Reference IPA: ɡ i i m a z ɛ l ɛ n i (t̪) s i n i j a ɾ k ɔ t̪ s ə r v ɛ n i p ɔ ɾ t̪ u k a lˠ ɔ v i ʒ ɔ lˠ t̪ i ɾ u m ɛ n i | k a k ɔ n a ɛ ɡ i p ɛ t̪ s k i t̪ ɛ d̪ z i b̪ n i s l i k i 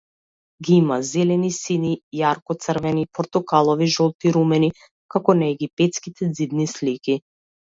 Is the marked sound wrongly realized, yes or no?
yes